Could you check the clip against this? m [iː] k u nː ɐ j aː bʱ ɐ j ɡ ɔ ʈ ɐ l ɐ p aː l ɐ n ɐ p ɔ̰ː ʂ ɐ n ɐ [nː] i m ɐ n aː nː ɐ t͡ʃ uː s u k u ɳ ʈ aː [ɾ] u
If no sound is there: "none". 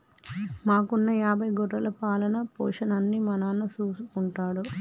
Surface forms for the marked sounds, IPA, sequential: aː, nː, ɽ

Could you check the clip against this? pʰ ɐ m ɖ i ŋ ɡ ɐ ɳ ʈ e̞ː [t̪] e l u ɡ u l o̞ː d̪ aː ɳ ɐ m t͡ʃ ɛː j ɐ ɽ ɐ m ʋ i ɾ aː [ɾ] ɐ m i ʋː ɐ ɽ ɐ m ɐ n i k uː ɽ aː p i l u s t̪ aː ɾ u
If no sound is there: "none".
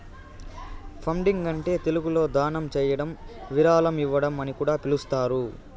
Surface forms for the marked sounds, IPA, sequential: t̪, l

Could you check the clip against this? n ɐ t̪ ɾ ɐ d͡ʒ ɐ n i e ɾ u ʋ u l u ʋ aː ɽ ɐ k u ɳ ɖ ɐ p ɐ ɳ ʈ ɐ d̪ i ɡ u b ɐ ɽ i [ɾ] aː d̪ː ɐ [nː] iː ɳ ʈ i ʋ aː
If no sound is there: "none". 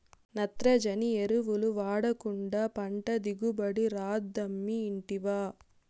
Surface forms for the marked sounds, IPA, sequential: ɾ, mː

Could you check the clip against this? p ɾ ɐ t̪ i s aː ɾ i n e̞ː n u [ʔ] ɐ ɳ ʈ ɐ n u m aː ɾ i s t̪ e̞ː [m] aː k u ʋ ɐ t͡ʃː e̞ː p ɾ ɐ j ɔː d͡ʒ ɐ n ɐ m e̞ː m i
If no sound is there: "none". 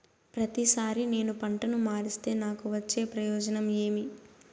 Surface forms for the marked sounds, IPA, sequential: p, n

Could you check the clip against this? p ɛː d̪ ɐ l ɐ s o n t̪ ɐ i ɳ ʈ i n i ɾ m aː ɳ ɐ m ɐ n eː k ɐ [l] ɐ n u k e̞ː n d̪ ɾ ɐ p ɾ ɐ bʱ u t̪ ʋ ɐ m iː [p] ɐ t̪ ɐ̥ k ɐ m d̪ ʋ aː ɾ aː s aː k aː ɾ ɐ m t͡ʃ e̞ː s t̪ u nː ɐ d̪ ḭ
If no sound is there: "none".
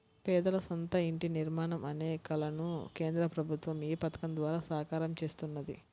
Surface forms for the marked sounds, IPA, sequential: l, p

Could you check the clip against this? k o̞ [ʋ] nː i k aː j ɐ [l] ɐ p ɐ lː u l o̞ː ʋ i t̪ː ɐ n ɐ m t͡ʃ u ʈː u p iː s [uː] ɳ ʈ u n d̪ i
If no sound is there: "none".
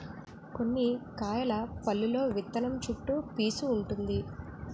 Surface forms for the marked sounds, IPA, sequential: none, l, uː

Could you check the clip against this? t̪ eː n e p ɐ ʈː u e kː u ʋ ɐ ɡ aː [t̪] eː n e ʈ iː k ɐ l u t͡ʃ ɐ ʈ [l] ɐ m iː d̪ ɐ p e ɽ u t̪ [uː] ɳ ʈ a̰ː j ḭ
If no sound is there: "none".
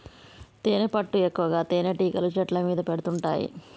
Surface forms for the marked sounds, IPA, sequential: t̪, l, u

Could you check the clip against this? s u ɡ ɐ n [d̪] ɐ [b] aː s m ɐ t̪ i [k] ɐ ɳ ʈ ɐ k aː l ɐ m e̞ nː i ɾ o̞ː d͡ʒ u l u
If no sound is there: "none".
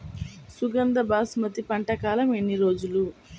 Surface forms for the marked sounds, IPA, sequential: d̪, b, p

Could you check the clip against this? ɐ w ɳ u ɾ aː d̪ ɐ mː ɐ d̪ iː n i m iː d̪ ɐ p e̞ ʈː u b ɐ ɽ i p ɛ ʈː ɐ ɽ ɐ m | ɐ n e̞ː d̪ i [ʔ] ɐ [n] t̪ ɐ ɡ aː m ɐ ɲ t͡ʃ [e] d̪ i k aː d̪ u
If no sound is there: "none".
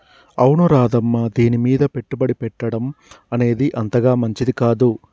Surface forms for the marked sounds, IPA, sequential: ʔ, n, i

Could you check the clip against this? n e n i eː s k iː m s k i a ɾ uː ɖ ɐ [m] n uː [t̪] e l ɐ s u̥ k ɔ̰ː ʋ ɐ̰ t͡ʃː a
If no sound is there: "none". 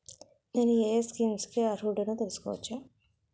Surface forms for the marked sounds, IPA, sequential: none, t̪

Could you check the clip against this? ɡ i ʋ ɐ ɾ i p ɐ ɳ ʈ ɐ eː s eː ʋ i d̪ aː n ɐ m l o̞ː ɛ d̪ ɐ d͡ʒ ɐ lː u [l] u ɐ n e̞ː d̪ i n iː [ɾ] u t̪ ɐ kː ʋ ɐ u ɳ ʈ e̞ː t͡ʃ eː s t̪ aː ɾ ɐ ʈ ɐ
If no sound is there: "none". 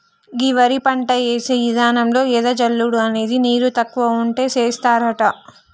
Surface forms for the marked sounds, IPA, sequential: ɽ, ɾ

